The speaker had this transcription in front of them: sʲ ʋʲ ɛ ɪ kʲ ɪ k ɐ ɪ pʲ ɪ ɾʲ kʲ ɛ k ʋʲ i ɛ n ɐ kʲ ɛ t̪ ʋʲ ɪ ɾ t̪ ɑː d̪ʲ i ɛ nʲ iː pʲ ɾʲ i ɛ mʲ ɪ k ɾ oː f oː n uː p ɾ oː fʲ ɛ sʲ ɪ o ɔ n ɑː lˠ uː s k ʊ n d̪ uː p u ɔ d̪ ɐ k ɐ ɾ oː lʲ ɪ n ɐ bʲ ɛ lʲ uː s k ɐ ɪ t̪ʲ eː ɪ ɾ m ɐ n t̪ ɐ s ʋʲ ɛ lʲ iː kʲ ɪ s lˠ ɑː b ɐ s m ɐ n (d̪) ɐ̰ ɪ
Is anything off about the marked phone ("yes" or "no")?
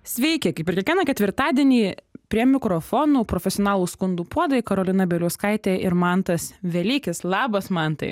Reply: yes